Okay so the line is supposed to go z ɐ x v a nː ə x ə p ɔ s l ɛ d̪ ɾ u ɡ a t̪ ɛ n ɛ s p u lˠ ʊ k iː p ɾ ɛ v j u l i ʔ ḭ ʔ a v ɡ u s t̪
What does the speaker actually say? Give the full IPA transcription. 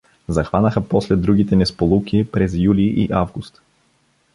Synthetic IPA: z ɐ x v a n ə x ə p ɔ s l ɛ d̪ ɾ u ɡ i t̪ ɛ n ɛ s p o lˠ u k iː p ɾ ɛ z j u l i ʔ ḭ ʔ a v ɡ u s t̪